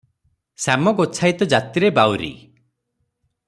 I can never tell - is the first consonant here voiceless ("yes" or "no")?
yes